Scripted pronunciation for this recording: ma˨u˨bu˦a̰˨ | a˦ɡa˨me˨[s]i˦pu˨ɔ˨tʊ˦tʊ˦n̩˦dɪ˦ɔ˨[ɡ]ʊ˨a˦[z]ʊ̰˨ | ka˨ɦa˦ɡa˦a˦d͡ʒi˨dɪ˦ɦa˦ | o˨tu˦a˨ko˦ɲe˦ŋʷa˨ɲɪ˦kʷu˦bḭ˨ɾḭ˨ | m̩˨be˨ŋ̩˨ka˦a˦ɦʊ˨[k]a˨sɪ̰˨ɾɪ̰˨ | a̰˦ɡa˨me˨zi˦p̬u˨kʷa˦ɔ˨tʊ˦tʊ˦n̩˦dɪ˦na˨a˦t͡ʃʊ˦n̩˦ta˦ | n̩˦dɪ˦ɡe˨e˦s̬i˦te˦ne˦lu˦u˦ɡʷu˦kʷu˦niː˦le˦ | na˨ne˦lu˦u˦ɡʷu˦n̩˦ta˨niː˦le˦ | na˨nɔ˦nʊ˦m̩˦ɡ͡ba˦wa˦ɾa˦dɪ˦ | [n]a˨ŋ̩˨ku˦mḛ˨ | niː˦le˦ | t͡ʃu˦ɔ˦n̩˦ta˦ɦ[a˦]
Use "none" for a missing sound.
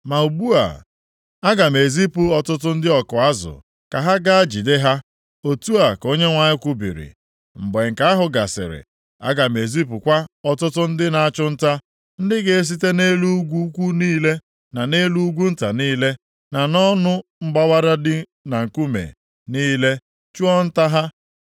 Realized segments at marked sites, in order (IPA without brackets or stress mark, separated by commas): z, k, z, ɡ, n, a˦